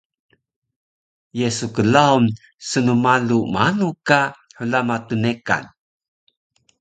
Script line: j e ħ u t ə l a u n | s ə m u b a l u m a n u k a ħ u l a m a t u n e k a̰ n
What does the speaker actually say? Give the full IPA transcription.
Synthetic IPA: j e s u k ə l a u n | s ə n u m a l u m a n u k a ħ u l a m a t u n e k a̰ n